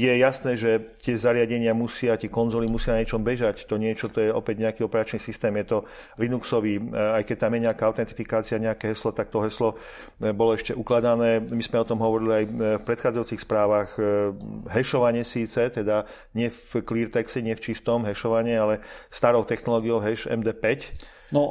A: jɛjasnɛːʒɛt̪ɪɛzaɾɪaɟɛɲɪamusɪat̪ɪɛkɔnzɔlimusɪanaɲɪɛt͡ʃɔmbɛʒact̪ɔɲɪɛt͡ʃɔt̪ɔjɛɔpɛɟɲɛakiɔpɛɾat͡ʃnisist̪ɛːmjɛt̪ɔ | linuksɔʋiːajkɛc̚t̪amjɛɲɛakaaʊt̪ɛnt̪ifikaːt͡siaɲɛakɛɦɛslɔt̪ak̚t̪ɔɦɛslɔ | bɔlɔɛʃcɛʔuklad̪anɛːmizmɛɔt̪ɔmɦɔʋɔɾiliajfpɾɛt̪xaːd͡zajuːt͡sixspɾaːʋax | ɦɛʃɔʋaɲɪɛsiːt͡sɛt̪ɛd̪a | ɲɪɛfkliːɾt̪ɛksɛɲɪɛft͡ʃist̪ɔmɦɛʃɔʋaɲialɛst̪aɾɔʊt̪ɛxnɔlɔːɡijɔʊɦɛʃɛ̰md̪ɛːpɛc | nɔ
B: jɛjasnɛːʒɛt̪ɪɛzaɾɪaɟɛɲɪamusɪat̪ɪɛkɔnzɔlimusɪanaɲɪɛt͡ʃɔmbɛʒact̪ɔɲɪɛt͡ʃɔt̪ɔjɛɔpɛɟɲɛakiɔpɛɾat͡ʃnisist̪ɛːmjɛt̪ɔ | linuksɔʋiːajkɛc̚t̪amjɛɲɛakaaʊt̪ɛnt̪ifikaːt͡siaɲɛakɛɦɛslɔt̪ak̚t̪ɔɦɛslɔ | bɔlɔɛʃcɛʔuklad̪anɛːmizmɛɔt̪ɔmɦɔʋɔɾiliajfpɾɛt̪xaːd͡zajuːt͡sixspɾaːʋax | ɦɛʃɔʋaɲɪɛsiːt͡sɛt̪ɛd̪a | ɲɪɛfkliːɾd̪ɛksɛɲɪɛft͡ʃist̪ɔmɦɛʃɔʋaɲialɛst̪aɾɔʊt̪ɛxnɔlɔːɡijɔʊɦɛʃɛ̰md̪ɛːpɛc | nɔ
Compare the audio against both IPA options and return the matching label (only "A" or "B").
A